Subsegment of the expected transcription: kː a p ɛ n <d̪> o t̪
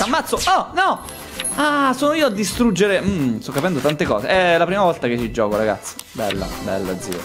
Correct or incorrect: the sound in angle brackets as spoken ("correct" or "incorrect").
correct